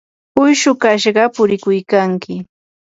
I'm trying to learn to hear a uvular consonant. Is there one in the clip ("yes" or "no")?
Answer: yes